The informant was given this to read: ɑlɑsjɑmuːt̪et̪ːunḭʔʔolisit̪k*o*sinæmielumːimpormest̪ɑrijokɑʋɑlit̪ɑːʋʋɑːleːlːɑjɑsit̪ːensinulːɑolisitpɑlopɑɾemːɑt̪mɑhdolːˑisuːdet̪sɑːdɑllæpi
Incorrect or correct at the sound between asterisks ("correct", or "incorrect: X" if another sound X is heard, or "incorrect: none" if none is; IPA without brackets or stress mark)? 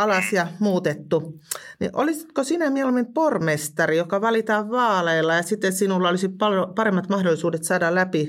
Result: correct